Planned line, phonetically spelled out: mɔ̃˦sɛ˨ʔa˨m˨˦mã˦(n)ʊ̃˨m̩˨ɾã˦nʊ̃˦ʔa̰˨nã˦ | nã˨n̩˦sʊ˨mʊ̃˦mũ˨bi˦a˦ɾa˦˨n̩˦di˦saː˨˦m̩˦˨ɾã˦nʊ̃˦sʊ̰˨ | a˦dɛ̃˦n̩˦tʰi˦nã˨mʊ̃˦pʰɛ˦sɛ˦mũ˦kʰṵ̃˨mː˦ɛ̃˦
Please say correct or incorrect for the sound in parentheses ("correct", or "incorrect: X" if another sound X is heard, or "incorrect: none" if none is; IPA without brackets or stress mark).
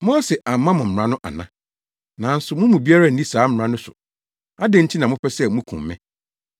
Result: incorrect: m